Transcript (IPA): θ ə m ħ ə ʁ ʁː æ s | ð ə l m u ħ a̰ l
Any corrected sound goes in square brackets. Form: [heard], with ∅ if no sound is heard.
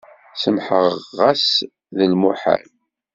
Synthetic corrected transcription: [s] ə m ħ ə ʁ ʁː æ s | ð ə l m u ħ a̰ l